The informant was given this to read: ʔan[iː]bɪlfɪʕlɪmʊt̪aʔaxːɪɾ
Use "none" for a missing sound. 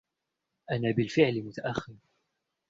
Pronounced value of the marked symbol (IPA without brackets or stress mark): aː